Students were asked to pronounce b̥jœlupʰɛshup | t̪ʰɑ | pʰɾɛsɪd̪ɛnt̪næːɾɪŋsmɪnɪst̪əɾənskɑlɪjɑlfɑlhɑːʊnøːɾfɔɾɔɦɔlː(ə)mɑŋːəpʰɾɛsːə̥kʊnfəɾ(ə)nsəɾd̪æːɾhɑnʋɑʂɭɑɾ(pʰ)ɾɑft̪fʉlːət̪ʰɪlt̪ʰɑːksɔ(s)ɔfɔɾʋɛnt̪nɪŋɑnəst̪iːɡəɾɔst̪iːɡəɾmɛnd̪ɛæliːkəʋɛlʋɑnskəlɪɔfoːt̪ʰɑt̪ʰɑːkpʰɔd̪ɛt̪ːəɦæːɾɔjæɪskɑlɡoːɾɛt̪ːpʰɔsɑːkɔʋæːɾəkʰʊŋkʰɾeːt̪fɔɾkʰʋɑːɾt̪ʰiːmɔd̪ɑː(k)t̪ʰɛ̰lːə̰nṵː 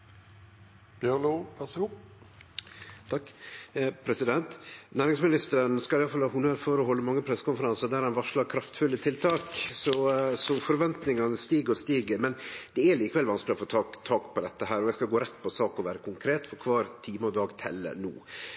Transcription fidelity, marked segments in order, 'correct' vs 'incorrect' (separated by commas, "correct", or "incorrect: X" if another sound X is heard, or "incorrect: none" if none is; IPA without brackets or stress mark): correct, incorrect: ɑ, incorrect: kʰ, correct, incorrect: ɡ